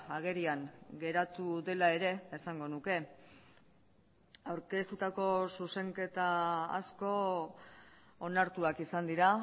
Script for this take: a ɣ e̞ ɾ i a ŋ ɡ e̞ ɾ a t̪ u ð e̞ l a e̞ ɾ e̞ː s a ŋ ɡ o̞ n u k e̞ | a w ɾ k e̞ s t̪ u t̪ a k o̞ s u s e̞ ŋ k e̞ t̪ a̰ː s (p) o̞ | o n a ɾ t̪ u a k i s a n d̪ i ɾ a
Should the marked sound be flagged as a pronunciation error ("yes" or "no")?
yes